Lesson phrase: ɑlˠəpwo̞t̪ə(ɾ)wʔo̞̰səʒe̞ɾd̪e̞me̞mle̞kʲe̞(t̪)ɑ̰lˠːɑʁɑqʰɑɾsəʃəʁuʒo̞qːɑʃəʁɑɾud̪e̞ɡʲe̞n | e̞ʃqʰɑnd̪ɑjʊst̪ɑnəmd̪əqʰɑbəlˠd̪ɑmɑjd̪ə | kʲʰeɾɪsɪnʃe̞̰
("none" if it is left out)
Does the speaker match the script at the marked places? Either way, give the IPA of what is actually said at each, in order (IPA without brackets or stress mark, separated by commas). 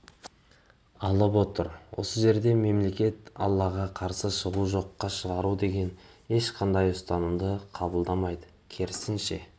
ɾ, t̪